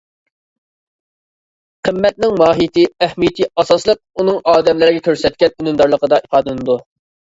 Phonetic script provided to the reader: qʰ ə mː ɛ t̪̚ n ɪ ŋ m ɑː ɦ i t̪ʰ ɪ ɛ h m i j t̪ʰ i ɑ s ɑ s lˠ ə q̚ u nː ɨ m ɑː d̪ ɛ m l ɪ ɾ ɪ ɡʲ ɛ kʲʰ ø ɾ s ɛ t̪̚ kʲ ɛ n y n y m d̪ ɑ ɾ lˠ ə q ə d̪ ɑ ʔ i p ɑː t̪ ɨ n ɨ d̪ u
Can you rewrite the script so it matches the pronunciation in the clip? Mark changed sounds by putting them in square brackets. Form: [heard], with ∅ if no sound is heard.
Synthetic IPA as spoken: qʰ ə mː ɛ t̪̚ n ɪ ŋ m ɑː ɦ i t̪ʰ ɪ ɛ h m i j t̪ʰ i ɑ s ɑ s lˠ ə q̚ u [n] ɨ [ŋ] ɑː d̪ ɛ m l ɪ ɾ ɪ ɡʲ ɛ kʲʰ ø ɾ s ɛ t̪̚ kʲ ɛ n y n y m d̪ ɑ ɾ lˠ ə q ə d̪ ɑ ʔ i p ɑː [d̪] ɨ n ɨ d̪ u

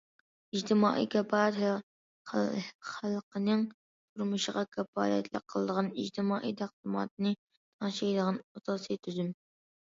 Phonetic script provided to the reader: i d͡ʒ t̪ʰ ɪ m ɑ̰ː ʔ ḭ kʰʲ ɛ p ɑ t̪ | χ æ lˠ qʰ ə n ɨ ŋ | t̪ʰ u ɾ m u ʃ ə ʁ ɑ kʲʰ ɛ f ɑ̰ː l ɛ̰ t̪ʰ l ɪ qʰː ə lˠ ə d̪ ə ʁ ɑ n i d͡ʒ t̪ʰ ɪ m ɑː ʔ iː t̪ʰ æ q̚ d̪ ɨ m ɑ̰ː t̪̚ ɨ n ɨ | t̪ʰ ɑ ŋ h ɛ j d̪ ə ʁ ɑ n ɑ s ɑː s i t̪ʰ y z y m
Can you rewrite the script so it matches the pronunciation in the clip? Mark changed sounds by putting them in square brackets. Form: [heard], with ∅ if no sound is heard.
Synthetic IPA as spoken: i d͡ʒ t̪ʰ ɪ m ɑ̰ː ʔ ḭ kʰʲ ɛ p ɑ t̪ | χ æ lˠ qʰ ə n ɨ ŋ | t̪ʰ u ɾ m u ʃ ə ʁ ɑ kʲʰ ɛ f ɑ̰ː l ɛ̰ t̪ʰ l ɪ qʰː ə lˠ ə d̪ ə ʁ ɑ n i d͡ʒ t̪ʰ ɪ m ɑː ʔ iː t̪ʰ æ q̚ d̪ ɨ m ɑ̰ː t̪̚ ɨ n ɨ | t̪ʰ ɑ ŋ [ʃ] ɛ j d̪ ə ʁ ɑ n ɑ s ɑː s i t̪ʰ y z y m

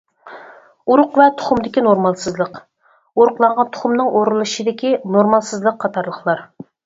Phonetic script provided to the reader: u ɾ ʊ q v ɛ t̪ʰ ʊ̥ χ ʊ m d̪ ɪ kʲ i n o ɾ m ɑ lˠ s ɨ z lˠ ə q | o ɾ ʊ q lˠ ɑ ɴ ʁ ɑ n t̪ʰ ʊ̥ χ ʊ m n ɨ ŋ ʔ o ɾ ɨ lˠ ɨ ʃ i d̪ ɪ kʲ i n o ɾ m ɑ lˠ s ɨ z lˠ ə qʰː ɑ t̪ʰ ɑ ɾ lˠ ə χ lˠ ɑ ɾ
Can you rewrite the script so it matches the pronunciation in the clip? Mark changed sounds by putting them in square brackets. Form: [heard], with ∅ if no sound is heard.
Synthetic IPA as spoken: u ɾ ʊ q v ɛ t̪ʰ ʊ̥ χ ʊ m d̪ ɪ kʲ i n o ɾ m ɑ lˠ s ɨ z lˠ ə q | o ɾ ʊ q lˠ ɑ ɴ ʁ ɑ n t̪ʰ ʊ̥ χ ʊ m n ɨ ŋ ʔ o ɾ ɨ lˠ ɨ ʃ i d̪ ɪ kʲ i n o ɾ m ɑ lˠ s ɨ z lˠ ə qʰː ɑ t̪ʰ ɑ ɾ lˠ ə χ lˠ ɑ ɾ

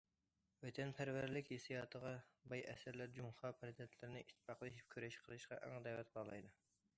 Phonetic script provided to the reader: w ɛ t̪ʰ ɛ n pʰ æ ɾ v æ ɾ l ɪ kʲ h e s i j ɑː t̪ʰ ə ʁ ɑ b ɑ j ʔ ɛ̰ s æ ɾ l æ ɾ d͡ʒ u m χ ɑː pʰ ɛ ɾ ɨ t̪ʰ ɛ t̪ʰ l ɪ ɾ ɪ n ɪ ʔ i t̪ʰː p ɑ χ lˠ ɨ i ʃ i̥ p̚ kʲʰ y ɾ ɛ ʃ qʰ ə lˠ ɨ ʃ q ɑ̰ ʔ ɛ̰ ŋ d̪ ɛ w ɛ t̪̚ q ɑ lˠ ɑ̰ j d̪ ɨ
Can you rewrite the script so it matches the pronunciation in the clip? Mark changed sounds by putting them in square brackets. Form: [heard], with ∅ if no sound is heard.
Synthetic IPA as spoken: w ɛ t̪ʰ ɛ n pʰ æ ɾ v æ ɾ l ɪ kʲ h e s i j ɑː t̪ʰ ə ʁ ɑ b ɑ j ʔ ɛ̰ s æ ɾ l æ ɾ d͡ʒ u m χ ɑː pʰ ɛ ɾ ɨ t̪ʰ ɛ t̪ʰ l ɪ ɾ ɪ n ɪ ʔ i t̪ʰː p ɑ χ lˠ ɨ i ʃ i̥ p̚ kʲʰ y ɾ ɛ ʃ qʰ ə lˠ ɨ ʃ q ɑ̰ ʔ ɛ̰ ŋ d̪ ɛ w ɛ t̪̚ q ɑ lˠ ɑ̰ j d̪ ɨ

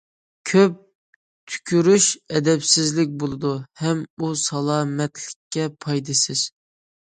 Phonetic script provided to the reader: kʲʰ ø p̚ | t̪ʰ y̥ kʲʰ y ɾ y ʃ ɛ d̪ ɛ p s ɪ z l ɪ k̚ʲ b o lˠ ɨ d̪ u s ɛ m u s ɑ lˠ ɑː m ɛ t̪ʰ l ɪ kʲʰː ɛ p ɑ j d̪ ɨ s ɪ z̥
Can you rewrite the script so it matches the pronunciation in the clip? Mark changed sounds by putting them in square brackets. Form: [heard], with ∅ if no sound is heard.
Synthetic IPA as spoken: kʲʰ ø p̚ | t̪ʰ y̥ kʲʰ y ɾ y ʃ ɛ d̪ ɛ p s ɪ z l ɪ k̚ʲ b o lˠ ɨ d̪ u [h] ɛ m u s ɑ lˠ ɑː m ɛ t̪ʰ l ɪ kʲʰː ɛ [pʰ] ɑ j d̪ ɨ s ɪ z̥

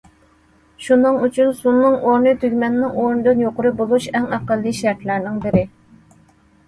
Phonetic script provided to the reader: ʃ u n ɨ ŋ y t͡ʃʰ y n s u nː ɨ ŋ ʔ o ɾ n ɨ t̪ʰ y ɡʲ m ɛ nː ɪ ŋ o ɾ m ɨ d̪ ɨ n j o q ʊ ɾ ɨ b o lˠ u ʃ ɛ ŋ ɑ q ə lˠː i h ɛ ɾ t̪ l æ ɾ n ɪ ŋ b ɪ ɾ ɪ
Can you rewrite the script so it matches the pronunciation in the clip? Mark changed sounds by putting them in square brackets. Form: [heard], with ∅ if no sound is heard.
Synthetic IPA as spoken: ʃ u n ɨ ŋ y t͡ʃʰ y n s u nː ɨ ŋ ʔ o ɾ n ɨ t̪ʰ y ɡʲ m ɛ nː ɪ ŋ o ɾ [n] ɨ d̪ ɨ n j o q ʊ ɾ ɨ b o lˠ u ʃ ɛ ŋ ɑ q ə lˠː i [ʃ] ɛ ɾ t̪ l æ ɾ n ɪ ŋ b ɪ ɾ ɪ

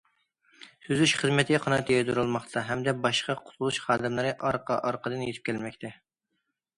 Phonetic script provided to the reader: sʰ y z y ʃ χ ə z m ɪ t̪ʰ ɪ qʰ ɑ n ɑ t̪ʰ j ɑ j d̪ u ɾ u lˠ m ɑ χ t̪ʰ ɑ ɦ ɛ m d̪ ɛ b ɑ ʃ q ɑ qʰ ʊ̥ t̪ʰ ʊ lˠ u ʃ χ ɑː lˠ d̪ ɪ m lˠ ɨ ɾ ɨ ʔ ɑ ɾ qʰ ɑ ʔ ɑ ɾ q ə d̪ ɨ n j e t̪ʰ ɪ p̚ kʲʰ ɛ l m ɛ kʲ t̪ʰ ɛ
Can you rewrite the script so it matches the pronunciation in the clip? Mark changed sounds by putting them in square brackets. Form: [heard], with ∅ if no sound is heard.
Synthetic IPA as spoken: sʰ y z y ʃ χ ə z m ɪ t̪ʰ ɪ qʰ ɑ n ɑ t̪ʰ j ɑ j d̪ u ɾ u lˠ m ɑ χ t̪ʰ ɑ ɦ ɛ m d̪ ɛ b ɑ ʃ q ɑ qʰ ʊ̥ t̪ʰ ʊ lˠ u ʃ χ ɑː [∅] d̪ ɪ m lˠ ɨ ɾ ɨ ʔ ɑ ɾ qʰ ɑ ʔ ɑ ɾ q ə d̪ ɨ n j e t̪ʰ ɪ p̚ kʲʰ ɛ l m ɛ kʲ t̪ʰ ɛ

